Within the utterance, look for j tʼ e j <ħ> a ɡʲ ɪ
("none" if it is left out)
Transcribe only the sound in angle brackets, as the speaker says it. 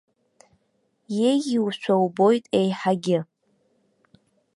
ħ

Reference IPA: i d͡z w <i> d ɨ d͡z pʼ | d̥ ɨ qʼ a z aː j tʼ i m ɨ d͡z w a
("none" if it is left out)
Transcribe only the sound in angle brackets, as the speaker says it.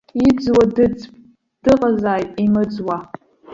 a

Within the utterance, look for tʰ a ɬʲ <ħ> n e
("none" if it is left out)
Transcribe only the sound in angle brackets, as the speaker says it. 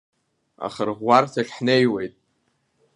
ħ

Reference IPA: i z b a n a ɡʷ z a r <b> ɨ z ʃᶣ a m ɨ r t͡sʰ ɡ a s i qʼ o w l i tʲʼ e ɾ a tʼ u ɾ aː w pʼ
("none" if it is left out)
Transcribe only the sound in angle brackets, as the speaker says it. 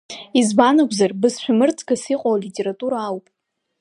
b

